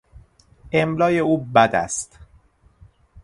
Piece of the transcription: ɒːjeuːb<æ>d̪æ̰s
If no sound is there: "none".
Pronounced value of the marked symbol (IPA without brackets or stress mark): æ